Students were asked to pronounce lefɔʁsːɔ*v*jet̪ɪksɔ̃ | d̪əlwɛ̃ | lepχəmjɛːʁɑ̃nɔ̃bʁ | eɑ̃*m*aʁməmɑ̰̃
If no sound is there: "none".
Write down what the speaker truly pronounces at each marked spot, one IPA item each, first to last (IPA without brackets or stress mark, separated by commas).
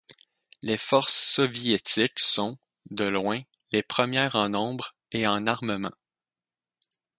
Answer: v, n